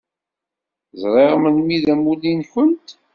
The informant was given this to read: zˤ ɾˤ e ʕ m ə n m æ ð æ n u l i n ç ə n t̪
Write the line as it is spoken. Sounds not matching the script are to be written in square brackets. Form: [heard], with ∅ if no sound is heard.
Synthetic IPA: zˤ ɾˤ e [ʁ] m ə n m [i] ð æ [m] u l i n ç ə n t̪